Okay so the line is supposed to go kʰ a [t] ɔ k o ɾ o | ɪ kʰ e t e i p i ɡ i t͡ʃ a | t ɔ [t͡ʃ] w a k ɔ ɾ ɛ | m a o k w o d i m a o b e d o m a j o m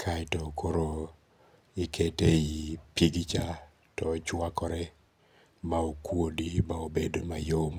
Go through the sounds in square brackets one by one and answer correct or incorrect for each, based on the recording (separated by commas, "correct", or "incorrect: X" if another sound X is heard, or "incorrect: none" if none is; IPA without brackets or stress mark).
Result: correct, correct